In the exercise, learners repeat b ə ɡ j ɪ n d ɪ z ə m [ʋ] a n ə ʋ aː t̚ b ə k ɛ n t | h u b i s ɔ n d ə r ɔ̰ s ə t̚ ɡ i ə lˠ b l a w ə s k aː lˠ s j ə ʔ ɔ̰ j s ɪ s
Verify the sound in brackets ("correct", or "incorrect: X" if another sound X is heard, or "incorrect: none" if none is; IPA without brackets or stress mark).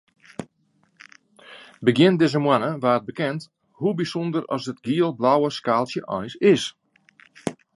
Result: incorrect: w